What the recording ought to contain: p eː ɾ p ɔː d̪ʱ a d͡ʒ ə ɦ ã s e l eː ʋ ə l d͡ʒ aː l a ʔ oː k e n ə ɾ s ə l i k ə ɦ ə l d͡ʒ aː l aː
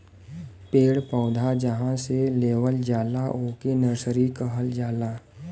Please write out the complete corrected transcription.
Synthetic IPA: p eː ɽ p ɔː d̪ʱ a d͡ʒ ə ɦ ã s e l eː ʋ ə l d͡ʒ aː l a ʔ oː k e n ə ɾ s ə ɾ i k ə ɦ ə l d͡ʒ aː l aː